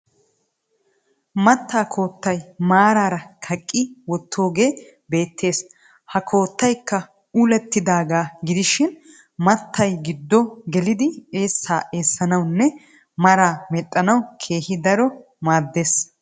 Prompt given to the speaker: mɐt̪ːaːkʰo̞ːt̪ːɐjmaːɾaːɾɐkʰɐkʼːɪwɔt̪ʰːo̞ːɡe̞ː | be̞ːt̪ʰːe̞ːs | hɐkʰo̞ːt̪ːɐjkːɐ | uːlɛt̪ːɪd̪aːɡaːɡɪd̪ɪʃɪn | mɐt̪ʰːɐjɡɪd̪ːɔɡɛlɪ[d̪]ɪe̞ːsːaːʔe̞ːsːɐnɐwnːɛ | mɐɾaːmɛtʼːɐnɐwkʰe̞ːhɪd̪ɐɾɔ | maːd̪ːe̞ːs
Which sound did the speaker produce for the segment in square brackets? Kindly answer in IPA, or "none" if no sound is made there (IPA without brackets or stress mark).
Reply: d̪